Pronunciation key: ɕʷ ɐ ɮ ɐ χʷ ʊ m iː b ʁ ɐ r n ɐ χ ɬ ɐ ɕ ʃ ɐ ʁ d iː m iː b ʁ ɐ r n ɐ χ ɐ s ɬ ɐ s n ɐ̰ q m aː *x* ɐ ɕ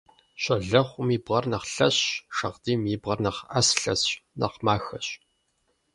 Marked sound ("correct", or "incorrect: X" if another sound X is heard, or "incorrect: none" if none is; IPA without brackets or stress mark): correct